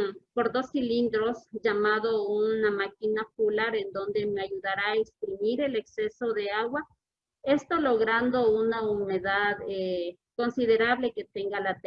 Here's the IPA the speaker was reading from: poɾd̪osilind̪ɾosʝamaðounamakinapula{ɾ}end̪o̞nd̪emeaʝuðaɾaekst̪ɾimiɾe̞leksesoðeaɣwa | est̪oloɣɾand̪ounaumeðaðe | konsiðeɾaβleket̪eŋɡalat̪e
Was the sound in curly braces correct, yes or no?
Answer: yes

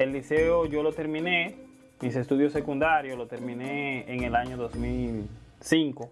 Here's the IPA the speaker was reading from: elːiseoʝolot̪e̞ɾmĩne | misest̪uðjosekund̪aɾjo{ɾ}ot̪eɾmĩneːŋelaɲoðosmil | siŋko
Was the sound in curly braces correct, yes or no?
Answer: no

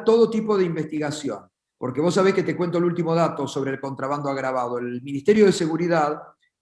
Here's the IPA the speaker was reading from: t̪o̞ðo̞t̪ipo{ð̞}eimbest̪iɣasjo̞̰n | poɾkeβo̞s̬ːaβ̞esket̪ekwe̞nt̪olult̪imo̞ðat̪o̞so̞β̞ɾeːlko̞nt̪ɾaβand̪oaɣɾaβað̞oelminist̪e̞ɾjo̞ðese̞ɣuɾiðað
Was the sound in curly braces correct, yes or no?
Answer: yes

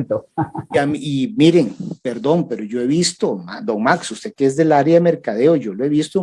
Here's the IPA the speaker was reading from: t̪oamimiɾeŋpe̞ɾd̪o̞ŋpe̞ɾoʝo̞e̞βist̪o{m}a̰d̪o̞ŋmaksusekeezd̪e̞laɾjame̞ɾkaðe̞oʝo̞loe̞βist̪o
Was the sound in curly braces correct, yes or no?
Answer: yes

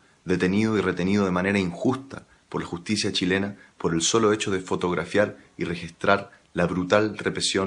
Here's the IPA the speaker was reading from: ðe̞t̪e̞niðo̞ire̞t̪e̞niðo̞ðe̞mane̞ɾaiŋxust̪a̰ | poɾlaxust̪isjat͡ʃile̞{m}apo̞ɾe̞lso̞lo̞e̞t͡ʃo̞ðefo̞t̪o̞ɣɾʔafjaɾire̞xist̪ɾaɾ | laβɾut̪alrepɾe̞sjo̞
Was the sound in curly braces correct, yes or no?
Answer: no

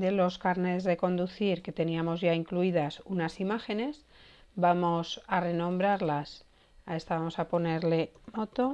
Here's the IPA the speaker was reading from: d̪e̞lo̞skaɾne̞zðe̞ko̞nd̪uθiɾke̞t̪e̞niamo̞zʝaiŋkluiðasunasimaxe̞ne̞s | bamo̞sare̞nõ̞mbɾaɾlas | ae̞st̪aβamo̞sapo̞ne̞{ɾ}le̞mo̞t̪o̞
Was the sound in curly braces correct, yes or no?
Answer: yes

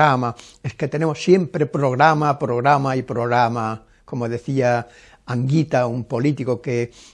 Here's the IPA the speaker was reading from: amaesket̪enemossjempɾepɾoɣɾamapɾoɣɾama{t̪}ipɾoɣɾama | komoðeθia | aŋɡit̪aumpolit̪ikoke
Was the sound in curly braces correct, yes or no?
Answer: no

